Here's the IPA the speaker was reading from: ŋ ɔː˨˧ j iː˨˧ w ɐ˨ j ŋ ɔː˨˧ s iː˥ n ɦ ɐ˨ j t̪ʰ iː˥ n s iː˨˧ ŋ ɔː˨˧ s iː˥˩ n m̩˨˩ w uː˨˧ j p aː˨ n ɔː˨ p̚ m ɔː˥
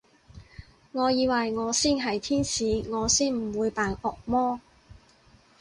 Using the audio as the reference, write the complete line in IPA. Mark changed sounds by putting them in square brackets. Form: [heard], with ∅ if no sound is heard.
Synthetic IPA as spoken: ŋ ɔː˨˧ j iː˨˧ w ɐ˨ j ŋ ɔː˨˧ s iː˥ n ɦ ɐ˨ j t̪ʰ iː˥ n s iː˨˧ ŋ ɔː˨˧ s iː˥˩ n m̩˨˩ w uː˨˧ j p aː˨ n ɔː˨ [k̚] m ɔː˥